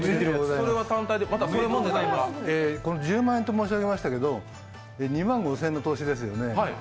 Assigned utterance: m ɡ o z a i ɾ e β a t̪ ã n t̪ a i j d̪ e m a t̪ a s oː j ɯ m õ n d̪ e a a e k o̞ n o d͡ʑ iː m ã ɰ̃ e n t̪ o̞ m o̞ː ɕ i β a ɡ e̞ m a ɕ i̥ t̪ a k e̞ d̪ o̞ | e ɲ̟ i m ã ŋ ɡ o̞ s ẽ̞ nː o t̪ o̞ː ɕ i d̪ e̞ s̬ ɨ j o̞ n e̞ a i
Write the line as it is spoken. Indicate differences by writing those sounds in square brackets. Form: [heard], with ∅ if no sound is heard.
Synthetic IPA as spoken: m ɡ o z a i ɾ e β a t̪ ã n t̪ a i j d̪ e m a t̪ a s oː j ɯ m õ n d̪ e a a e k o̞ n o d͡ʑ [ɨː] m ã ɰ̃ e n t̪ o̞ m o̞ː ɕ i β a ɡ e̞ m a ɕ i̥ t̪ a k e̞ d̪ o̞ | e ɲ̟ i m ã ŋ ɡ o̞ s ẽ̞ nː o t̪ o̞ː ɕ i d̪ e̞ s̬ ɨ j o̞ n e̞ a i

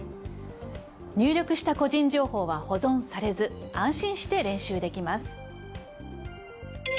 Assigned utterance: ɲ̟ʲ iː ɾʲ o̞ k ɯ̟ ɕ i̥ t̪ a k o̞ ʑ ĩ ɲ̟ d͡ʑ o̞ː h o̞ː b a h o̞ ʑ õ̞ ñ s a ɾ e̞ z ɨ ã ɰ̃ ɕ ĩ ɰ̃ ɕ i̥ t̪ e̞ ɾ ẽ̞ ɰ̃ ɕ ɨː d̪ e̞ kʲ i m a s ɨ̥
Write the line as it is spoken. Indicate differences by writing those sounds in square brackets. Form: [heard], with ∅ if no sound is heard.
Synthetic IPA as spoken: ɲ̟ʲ [ɨː] ɾʲ o̞ k ɯ̟ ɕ i̥ t̪ a k o̞ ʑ ĩ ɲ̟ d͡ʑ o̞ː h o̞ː [β] a h o̞ [z] õ̞ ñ s a ɾ e̞ z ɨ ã ɰ̃ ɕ ĩ ɰ̃ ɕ i̥ t̪ e̞ ɾ ẽ̞ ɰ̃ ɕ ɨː d̪ e̞ kʲ i m a s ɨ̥

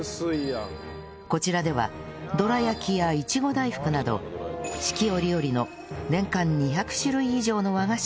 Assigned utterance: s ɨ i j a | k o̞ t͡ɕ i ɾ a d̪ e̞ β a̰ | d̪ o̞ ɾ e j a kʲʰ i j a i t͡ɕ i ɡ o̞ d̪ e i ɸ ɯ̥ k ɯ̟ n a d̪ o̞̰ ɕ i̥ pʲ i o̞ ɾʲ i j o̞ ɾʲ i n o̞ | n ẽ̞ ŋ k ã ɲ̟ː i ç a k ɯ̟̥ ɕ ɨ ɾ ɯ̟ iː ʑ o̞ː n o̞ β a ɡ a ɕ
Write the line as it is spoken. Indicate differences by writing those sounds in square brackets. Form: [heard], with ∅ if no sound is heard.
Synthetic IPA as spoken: s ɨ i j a | k o̞ t͡ɕ i ɾ a d̪ e̞ β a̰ | d̪ o̞ ɾ [a] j a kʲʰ i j a i t͡ɕ i ɡ o̞ d̪ [a] i ɸ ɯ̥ k ɯ̟ n a d̪ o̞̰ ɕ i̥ [kʲ] i o̞ ɾʲ i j o̞ ɾʲ i n o̞ | n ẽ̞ ŋ k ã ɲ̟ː i ç a k ɯ̟̥ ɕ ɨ ɾ ɯ̟ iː ʑ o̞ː n o̞ β a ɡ a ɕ

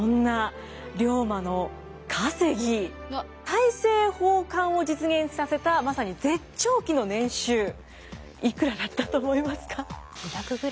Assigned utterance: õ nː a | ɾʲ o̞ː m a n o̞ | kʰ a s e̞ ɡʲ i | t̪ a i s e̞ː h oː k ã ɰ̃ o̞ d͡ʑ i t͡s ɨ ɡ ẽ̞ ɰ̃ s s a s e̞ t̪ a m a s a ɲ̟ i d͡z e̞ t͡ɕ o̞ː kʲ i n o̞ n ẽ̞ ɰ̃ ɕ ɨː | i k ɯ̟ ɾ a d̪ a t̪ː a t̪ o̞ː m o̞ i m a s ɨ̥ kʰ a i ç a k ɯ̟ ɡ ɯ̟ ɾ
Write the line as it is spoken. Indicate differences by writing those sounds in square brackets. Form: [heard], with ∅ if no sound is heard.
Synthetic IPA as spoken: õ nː a | ɾʲ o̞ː m a n o̞ | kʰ a s e̞ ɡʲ i | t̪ a i s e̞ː h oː k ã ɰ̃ o̞ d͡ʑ i t͡s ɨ ɡ ẽ̞ ɰ̃ s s a s e̞ t̪ a m a s a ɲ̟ i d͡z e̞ t͡ɕ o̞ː kʲ i n o̞ n ẽ̞ ɰ̃ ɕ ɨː | i k ɯ̟ ɾ a d̪ a t̪ː a t̪ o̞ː m o̞ i m a s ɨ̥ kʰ a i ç a k ɯ̟ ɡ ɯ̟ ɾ

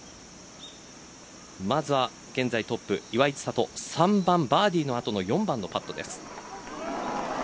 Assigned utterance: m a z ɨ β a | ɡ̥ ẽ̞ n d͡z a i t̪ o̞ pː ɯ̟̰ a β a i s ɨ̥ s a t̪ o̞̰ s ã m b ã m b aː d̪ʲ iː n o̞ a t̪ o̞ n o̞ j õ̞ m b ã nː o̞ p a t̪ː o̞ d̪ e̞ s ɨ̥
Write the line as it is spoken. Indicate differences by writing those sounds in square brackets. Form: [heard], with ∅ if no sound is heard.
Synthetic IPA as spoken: m a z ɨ β a | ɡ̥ ẽ̞ n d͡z a i t̪ o̞ pː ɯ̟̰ [i] β a i [t͡s] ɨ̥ s a t̪ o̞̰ s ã m b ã m b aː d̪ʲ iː n o̞ a t̪ o̞ n o̞ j õ̞ m b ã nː o̞ p a t̪ː o̞ d̪ e̞ s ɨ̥

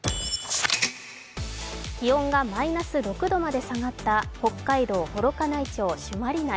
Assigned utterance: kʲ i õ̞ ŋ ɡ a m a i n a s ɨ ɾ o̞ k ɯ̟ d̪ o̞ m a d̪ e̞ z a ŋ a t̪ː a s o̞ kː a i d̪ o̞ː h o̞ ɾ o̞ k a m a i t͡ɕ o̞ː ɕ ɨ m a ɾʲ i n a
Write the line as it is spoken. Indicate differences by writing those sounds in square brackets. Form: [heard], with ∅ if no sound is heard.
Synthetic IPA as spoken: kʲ i õ̞ ŋ ɡ a m a i n a s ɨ ɾ o̞ k ɯ̟ d̪ o̞ m a d̪ e̞ [s] a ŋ a t̪ː a [h] o̞ kː a i d̪ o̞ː h o̞ ɾ o̞ k a [n] a i t͡ɕ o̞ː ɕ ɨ m a ɾʲ i n a

